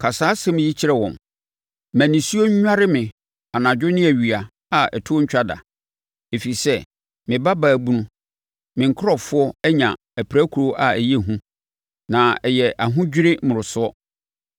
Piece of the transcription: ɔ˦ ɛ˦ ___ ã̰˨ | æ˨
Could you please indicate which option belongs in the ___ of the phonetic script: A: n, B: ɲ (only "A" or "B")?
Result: B